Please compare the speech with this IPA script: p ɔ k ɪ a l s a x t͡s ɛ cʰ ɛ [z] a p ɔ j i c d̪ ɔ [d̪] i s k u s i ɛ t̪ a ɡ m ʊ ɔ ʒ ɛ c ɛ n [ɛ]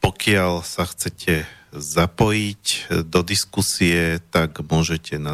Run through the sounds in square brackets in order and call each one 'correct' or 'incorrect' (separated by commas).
correct, correct, incorrect